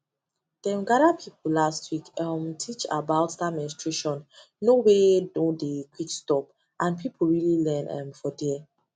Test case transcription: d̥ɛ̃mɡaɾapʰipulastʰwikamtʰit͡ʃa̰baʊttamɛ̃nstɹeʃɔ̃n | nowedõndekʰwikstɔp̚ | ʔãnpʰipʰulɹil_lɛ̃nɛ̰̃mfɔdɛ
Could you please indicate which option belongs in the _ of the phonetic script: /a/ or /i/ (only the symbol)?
i